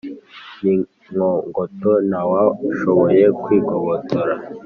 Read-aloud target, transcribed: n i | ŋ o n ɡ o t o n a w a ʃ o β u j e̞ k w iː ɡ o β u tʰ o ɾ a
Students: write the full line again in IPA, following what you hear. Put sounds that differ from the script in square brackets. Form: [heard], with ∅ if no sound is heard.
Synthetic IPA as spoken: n i | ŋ o [ŋ] ɡ o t o n a w a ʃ o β [o] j e̞ k w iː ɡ o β [o] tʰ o ɾ a